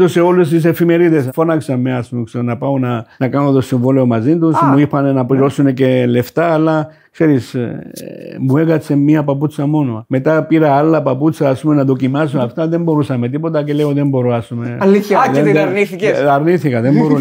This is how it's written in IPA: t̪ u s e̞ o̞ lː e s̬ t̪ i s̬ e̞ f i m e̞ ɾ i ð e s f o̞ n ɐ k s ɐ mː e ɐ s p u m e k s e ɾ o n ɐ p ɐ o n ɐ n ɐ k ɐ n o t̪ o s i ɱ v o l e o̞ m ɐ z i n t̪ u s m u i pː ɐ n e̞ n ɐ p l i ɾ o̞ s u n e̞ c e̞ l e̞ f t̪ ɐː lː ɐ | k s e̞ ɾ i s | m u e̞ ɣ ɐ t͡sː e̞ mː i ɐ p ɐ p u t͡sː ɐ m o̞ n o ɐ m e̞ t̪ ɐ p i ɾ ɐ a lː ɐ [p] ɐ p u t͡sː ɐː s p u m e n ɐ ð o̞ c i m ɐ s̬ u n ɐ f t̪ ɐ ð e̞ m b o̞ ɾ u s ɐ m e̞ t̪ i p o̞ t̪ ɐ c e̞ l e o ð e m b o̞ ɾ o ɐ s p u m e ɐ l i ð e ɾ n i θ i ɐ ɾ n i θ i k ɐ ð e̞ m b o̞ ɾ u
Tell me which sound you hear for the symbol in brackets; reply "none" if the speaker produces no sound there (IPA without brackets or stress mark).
p